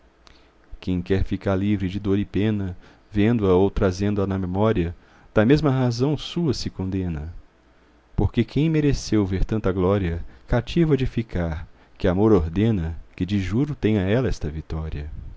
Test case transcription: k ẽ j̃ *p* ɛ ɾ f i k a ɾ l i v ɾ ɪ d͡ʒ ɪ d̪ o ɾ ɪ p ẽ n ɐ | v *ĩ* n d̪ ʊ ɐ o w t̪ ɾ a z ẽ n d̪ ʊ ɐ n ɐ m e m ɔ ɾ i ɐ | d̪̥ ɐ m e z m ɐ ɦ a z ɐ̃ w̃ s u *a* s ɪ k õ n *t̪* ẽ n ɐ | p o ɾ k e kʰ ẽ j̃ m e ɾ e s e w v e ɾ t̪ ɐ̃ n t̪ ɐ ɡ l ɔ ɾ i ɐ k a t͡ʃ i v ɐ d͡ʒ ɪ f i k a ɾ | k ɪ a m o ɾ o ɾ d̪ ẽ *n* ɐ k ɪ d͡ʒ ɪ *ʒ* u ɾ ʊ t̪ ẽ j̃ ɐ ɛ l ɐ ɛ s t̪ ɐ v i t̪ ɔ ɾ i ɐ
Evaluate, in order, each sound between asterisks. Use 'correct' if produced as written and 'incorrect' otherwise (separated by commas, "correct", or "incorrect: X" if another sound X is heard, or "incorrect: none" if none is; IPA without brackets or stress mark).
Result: incorrect: k, incorrect: ẽ, incorrect: ɐ, incorrect: d̪, correct, correct